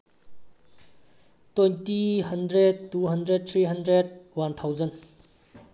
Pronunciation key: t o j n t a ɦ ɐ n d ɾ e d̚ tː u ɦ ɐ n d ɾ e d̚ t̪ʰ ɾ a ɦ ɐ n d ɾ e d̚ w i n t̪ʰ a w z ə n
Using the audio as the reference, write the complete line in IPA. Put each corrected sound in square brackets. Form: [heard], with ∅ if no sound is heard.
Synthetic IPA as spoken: t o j n t [i] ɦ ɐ n d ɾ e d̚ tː u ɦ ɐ n d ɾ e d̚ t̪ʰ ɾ [i] ɦ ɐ n d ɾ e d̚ w [a] n t̪ʰ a w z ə n